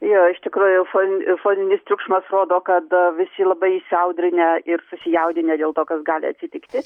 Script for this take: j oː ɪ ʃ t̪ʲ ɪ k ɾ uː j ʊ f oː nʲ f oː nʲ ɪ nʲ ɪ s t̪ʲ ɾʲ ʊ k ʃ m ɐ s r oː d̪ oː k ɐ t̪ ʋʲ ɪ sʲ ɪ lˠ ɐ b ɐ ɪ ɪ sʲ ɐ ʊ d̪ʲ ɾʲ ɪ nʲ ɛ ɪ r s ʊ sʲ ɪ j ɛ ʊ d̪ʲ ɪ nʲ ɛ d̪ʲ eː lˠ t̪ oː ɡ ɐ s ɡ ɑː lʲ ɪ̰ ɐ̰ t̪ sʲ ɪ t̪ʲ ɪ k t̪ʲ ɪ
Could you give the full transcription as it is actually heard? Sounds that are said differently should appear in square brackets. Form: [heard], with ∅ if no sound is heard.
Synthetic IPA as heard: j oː ɪ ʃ t̪ʲ ɪ k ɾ uː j ʊ f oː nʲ f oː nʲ ɪ nʲ ɪ s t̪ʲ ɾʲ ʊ k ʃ m ɐ s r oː d̪ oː k ɐ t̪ ʋʲ ɪ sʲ ɪ lˠ ɐ b ɐ ɪ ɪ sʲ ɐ ʊ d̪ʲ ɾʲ ɪ nʲ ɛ ɪ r s ʊ sʲ ɪ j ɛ ʊ d̪ʲ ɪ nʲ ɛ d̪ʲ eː lˠ t̪ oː [k] ɐ s ɡ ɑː lʲ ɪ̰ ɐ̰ t̪ sʲ ɪ t̪ʲ ɪ k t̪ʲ ɪ